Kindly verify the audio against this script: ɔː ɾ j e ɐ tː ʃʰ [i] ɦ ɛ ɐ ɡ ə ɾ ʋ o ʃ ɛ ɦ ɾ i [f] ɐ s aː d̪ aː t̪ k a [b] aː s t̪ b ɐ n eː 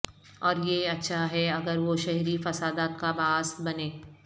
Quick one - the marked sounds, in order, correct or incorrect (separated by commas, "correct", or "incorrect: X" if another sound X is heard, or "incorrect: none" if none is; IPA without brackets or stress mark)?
incorrect: a, correct, correct